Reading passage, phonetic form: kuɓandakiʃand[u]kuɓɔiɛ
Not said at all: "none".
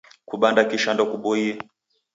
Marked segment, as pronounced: ɔ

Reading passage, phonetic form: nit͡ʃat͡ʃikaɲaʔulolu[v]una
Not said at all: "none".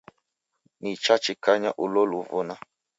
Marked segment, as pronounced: v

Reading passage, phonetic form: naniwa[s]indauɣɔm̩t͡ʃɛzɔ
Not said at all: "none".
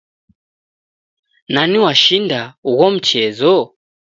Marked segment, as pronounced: ʃ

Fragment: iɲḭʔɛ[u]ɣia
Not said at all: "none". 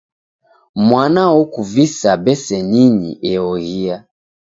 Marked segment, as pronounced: ɔ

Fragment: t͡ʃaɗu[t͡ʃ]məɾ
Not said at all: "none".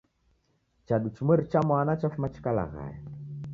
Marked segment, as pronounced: t͡ʃ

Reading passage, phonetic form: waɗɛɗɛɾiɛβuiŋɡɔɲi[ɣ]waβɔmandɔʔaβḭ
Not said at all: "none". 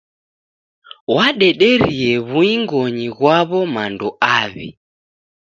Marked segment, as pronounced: ɣ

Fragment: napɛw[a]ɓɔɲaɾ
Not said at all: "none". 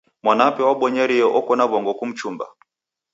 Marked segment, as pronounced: a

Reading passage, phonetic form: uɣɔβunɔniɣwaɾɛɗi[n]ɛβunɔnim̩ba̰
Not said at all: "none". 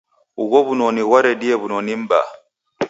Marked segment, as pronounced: none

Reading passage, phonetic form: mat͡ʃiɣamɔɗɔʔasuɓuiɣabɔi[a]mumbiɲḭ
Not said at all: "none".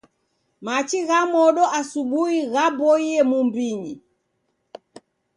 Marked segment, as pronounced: ɛ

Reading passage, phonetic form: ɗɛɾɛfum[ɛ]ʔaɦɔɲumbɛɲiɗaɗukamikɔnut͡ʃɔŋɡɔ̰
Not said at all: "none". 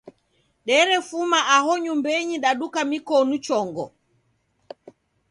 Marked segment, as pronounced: a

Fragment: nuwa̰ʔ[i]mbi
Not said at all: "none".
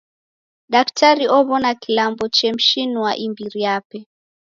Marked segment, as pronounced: i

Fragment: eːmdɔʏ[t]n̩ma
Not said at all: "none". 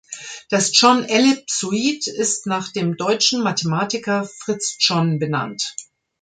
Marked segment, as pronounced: t͡ʃ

